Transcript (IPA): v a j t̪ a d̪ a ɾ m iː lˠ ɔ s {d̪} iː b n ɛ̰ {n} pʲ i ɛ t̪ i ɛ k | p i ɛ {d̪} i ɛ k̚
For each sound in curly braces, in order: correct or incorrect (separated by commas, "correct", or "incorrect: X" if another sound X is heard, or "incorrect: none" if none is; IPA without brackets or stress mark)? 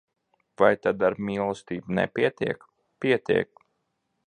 incorrect: t̪, incorrect: none, incorrect: t̪